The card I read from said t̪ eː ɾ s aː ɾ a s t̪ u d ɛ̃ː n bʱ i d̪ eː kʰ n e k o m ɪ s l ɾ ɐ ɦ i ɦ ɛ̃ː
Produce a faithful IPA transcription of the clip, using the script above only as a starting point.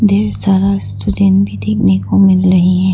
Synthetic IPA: d̪ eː ɾ s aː ɾ a s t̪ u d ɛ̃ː n bʱ i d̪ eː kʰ n e k o m ɪ l ɾ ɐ ɦ i ɦ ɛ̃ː